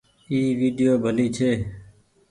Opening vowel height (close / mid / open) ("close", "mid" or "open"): close